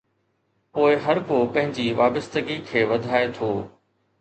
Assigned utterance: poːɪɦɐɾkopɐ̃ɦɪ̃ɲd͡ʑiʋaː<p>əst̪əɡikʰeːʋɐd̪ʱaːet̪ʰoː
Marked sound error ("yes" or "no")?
yes